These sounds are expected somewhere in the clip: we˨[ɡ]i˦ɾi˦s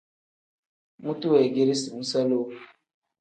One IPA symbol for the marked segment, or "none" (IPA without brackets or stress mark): ɡ